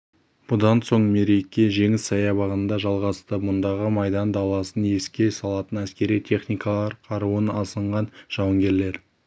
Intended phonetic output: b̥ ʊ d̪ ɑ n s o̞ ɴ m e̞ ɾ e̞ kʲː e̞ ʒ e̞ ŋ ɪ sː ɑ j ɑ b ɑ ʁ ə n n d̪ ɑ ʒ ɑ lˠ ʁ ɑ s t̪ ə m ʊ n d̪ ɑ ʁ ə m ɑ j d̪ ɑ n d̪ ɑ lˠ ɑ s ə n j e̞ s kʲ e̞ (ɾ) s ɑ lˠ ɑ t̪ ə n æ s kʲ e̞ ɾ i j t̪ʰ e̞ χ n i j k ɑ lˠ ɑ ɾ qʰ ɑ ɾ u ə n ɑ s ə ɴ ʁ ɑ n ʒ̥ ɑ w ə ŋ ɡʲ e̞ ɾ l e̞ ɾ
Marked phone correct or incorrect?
incorrect